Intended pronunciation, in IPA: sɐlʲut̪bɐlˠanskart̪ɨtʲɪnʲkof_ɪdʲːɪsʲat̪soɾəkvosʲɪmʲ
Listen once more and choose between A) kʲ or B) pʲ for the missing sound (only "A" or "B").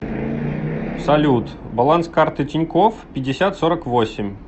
B